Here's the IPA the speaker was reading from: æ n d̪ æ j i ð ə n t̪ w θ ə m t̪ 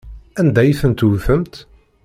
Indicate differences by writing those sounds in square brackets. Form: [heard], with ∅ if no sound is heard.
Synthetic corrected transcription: æ n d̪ æ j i [θ] ə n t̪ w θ ə m t̪